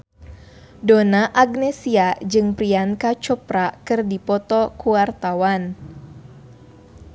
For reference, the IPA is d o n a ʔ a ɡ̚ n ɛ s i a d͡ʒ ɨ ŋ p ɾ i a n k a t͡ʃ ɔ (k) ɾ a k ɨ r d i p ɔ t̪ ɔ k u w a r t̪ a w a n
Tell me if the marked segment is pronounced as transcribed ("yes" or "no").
no